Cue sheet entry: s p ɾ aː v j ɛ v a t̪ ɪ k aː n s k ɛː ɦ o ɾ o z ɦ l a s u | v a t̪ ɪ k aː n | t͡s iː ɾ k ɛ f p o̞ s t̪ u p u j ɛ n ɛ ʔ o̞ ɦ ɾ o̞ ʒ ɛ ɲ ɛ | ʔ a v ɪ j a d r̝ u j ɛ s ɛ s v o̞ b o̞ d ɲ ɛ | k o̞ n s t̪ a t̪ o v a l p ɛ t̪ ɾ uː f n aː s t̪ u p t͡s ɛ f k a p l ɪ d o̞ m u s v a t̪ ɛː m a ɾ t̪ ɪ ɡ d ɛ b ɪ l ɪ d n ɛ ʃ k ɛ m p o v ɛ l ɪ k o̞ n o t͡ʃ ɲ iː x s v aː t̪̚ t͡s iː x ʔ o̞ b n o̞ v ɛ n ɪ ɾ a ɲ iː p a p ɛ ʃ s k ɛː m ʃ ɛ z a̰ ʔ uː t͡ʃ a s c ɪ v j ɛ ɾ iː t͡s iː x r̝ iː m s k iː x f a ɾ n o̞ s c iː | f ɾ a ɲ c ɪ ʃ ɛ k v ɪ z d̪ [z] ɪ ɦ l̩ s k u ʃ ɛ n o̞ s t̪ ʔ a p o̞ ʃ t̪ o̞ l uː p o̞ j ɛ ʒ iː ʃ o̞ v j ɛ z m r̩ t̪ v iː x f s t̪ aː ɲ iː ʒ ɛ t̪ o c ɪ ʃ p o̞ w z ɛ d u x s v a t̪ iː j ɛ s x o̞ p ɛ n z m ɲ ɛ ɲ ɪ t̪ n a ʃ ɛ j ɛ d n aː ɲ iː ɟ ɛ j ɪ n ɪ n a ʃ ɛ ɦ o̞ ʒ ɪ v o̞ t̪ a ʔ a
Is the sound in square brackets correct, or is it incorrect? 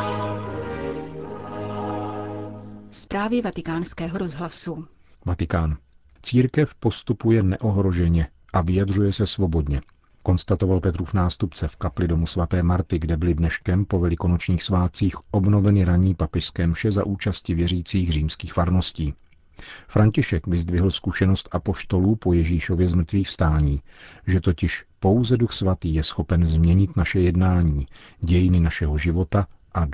incorrect